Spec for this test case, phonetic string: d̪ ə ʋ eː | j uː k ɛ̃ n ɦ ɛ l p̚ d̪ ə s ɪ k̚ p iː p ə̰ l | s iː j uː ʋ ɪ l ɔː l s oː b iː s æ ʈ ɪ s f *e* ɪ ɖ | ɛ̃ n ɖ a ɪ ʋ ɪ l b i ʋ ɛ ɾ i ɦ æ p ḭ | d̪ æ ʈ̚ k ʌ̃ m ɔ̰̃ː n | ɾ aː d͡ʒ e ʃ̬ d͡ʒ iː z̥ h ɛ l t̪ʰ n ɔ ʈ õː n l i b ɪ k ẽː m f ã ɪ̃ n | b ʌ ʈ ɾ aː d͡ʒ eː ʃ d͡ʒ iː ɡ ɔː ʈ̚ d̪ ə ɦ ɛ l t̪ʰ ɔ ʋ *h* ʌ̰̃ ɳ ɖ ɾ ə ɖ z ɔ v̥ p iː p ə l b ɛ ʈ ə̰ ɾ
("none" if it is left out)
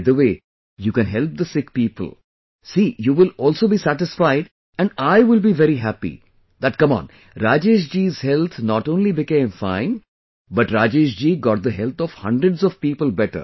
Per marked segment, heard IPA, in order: a, h

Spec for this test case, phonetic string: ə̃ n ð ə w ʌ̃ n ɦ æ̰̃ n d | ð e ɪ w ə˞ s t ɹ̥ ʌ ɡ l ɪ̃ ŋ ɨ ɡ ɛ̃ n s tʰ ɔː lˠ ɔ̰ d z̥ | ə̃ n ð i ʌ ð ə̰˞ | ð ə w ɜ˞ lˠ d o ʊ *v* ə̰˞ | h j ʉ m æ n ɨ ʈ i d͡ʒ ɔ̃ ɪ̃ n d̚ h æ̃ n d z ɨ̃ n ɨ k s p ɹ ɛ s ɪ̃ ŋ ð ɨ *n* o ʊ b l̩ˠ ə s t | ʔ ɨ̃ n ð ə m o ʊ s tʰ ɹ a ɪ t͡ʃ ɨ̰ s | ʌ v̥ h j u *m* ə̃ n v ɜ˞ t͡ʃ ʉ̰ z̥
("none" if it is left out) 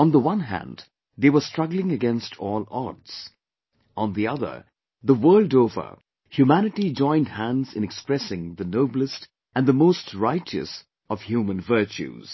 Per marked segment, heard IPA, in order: v, n, m

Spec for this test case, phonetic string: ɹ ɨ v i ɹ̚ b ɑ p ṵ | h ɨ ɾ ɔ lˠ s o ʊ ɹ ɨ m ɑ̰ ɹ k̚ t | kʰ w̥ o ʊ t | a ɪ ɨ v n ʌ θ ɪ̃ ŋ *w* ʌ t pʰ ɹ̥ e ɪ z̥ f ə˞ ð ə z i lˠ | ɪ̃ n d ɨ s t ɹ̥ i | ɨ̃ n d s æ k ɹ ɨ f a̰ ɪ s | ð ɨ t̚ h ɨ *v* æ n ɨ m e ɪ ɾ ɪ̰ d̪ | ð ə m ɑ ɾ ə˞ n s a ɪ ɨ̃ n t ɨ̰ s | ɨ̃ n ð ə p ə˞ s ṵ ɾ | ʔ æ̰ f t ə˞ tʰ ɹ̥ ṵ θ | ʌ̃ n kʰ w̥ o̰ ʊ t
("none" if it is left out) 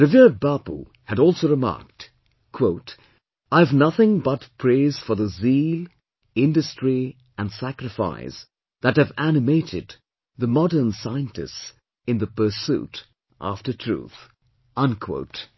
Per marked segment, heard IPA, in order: b, v

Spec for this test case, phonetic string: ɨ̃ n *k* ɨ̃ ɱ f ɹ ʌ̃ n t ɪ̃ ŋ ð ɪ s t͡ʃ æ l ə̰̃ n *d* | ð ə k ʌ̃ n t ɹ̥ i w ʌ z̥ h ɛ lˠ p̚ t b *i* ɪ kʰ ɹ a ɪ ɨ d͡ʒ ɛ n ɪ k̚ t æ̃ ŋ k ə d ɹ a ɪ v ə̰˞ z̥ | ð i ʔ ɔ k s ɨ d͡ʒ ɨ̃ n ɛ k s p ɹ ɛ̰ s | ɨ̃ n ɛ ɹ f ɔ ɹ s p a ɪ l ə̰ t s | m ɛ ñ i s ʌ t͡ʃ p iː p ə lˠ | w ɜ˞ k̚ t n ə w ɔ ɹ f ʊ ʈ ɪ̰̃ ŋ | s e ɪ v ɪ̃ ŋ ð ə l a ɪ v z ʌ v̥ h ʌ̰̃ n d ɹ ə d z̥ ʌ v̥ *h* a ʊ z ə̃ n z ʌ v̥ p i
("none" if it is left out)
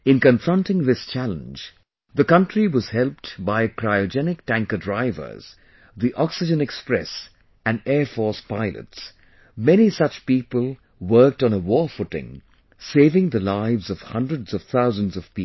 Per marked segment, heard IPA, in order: k, d͡ʒ, a, θ

